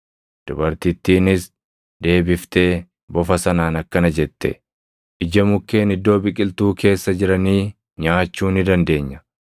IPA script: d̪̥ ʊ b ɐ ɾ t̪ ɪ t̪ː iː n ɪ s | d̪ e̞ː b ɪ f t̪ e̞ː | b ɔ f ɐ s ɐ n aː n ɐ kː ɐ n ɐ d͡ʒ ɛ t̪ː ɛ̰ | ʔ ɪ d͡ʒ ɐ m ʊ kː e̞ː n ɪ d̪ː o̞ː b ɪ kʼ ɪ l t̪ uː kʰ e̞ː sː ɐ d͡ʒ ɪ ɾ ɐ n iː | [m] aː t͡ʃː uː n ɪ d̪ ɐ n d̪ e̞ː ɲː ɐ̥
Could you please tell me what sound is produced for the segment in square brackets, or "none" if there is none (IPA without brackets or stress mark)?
ɲ